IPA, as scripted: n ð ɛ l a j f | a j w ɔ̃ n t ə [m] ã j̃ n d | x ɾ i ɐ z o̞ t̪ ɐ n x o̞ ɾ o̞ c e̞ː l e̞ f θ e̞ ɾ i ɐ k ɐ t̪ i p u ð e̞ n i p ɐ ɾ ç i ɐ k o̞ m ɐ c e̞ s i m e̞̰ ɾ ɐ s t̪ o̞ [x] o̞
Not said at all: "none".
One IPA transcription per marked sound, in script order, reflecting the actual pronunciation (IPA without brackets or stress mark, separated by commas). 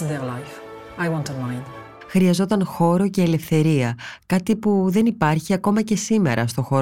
m, x